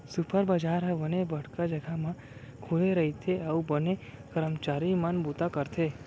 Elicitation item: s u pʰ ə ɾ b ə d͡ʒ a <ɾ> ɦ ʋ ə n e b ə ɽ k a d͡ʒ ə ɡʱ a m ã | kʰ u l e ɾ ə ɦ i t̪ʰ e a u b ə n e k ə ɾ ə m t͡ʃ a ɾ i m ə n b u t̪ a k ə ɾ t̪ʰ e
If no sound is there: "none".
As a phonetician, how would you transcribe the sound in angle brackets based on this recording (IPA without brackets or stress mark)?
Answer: ɾ